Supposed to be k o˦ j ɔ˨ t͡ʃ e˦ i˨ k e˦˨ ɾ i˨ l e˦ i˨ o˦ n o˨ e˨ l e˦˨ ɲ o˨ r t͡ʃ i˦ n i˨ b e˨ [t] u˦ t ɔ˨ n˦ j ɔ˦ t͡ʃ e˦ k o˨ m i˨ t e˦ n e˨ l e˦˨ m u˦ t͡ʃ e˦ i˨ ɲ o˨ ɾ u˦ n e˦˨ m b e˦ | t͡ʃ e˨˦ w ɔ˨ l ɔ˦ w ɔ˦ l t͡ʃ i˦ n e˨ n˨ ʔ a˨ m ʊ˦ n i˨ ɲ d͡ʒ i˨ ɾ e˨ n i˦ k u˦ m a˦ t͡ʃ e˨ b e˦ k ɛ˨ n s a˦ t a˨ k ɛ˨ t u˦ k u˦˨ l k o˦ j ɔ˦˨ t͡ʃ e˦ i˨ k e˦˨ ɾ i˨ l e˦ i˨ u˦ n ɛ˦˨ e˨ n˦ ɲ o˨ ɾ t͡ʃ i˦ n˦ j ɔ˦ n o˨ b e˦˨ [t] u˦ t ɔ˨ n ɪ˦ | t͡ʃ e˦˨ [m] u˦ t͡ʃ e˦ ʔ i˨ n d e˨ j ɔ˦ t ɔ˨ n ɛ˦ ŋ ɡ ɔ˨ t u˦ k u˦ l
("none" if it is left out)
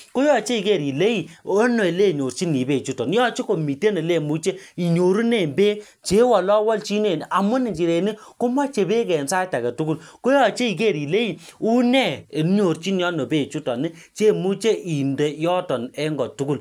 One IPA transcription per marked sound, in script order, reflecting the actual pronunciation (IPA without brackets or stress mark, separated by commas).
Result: t͡ʃ, t͡ʃ, m